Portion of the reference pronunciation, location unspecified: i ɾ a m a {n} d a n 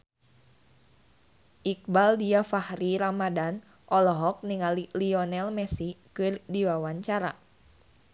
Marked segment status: incorrect: none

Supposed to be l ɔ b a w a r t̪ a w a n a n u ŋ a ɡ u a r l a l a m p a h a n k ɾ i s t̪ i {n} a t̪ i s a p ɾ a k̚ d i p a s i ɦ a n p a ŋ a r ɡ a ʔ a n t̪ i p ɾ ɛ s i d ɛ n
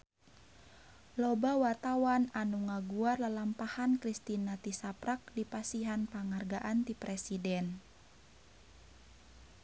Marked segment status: correct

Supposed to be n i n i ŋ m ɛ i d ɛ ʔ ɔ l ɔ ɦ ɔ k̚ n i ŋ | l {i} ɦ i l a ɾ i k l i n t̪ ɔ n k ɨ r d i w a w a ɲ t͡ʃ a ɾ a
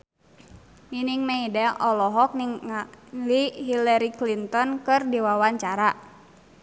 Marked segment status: correct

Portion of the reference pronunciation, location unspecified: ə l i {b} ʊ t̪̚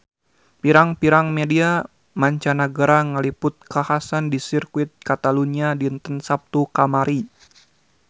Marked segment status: incorrect: p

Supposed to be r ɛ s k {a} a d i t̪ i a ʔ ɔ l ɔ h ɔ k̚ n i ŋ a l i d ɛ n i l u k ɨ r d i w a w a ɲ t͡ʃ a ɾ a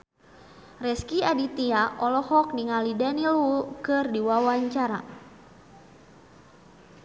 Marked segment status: incorrect: i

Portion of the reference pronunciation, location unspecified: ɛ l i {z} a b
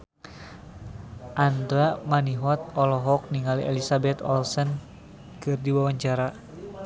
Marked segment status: incorrect: s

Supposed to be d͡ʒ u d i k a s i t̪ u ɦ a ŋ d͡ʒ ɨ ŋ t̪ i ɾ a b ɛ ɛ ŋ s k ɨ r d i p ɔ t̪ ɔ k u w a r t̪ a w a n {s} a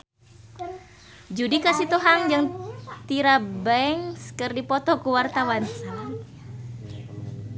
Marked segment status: correct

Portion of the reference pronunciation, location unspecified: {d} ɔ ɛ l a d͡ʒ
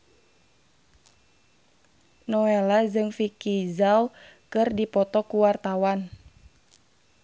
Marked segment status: incorrect: n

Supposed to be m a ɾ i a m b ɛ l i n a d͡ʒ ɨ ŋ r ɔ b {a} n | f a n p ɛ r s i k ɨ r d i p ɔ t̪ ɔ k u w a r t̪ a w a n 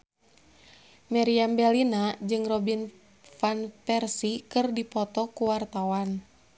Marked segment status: incorrect: i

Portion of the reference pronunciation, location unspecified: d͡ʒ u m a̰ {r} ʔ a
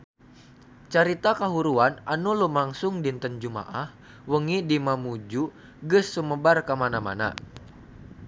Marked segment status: incorrect: none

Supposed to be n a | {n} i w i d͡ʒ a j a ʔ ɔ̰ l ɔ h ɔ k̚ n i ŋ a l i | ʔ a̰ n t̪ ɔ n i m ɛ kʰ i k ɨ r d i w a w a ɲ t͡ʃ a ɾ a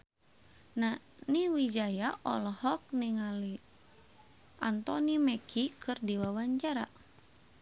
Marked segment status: correct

